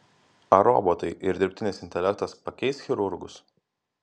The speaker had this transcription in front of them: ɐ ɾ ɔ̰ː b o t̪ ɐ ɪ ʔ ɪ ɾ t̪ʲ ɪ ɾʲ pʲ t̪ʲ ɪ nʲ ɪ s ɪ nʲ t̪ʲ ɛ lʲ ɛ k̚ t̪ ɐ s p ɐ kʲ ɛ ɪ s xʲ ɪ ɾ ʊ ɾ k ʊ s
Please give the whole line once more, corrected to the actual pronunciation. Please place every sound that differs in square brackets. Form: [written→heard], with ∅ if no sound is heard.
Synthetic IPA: ɐ ɾ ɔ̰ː b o t̪ ɐ ɪ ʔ ɪ ɾ [t̪ʲ→d̪ʲ] ɪ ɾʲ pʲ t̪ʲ ɪ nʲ ɪ s ɪ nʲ t̪ʲ ɛ lʲ ɛ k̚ t̪ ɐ s p ɐ kʲ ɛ ɪ s xʲ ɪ ɾ ʊ ɾ [k→ɡ] ʊ s